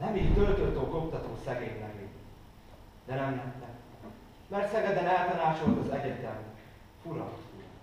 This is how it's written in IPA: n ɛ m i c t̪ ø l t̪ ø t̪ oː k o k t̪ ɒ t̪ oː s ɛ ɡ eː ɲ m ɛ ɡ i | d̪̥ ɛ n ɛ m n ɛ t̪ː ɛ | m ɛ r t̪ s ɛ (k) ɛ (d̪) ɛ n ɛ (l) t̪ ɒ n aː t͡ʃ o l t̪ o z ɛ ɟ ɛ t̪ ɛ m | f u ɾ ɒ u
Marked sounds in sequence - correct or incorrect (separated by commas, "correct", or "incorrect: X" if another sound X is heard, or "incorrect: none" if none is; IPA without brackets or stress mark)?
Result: incorrect: ɡ, correct, correct